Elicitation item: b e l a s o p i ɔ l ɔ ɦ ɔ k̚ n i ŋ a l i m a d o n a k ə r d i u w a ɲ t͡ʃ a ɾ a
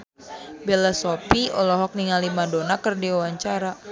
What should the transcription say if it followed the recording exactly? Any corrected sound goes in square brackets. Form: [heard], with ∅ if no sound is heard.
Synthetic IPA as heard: b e l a s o p i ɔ l ɔ ɦ ɔ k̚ n i ŋ a l i m a d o n a k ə r d i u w a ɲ t͡ʃ a ɾ a